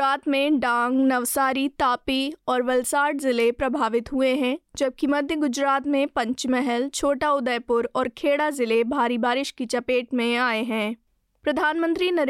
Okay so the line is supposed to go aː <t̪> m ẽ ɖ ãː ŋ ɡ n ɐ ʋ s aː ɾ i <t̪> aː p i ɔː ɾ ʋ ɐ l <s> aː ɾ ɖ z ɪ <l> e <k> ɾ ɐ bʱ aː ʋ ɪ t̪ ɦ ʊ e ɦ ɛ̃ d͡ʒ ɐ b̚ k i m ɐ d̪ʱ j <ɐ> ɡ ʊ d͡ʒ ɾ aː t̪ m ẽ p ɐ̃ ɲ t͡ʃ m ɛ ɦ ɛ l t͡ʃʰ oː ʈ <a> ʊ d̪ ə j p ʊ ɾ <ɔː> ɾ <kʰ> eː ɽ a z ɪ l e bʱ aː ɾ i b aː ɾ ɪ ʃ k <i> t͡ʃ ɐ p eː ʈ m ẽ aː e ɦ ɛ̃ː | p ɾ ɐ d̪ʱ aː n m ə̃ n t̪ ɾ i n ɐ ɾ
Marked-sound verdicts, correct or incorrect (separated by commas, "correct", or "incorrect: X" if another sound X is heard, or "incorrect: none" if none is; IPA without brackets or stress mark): correct, correct, correct, correct, incorrect: p, incorrect: ə, correct, correct, correct, correct